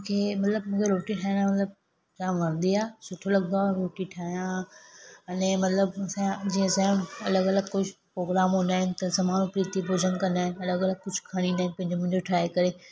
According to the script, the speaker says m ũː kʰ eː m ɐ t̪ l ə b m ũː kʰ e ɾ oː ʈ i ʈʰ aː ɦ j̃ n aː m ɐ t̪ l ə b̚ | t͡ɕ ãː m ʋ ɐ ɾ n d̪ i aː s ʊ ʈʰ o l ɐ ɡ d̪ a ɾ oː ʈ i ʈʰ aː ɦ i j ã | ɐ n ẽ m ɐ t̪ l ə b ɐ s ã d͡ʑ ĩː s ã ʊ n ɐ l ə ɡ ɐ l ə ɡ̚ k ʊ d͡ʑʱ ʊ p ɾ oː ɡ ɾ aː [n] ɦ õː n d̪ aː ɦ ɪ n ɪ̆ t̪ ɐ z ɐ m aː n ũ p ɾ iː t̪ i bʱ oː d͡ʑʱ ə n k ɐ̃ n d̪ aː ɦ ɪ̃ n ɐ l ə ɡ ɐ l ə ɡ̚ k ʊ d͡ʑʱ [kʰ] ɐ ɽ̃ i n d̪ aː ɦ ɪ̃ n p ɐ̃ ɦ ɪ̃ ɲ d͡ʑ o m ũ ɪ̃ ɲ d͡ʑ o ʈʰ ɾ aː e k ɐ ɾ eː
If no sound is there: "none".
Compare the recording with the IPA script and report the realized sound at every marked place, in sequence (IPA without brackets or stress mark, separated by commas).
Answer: m, kʰ